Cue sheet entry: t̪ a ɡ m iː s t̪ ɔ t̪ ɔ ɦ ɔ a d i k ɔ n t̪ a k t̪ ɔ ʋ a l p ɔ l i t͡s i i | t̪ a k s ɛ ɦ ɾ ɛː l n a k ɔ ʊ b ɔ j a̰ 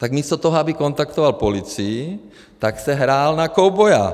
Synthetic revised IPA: t̪ a ɡ m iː s t̪ ɔ t̪ ɔ ɦ ɔ a b i k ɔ n t̪ a k t̪ ɔ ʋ a l p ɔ l i t͡s i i | t̪ a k s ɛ ɦ ɾ aː l n a k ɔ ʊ b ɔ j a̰